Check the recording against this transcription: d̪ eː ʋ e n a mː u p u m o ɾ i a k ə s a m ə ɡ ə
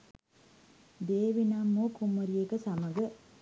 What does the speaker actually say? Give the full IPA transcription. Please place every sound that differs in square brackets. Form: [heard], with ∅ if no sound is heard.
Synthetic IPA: d̪ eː ʋ [i] n a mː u [k] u m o ɾ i [e] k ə s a m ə ɡ ə